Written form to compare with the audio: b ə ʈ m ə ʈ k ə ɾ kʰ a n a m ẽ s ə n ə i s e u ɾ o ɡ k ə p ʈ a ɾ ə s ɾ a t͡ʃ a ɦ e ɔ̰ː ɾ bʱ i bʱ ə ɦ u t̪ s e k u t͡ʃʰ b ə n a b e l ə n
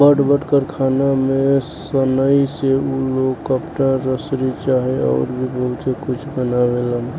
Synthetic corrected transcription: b ə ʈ b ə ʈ k ə ɾ kʰ a n a m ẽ s ə n ə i s e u l o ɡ k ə p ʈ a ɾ ə s ɾ i t͡ʃ a ɦ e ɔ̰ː ɾ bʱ i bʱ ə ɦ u t̪ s e k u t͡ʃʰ b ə n a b e l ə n